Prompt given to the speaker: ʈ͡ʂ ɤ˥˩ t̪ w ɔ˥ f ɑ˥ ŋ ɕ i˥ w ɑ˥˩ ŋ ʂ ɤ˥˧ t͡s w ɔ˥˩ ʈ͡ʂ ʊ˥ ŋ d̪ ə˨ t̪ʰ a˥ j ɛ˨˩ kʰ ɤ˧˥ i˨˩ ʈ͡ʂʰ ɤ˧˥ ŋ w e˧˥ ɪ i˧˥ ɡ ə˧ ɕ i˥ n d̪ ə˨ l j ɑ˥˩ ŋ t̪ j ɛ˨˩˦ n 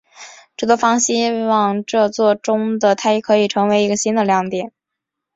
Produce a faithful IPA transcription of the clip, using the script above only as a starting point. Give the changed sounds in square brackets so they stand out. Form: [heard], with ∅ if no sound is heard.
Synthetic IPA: ʈ͡ʂ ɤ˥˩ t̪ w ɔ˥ f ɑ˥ ŋ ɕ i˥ w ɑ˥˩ ŋ [ʈ͡ʂ] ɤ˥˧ t͡s w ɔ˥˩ ʈ͡ʂ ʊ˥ ŋ d̪ ə˨ t̪ʰ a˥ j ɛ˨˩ kʰ ɤ˧˥ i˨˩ ʈ͡ʂʰ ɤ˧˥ ŋ w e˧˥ ɪ i˧˥ ɡ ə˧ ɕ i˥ n d̪ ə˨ l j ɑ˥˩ ŋ t̪ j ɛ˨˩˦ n